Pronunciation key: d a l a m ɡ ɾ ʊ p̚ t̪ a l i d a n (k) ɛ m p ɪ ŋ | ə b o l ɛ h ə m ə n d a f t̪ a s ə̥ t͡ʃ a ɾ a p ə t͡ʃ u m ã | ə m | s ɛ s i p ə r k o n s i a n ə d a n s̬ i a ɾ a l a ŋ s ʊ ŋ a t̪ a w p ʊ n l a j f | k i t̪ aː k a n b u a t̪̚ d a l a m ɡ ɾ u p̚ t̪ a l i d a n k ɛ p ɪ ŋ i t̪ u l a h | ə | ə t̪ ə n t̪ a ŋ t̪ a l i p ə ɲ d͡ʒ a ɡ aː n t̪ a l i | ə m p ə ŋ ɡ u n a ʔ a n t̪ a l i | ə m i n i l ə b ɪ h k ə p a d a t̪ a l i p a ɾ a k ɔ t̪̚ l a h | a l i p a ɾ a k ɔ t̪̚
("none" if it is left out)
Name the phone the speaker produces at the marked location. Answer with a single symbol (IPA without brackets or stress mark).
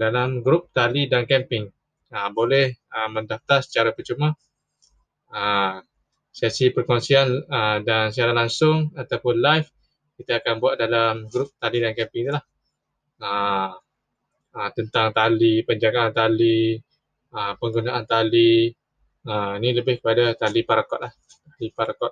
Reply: k